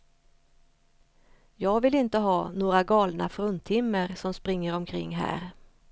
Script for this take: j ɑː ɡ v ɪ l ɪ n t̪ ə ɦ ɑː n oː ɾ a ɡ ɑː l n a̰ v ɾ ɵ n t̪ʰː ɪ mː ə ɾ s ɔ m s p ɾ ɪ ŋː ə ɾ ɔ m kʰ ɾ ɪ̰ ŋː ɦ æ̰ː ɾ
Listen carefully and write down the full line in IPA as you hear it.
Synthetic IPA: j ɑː ɡ v ɪ l ɪ n t̪ ə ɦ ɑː n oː ɾ a ɡ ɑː l n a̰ f ɾ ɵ n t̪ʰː ɪ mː ə ɾ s ɔ m s p ɾ ɪ ŋː ə ɾ ɔ m kʰ ɾ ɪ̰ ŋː ɦ æ̰ː ɾ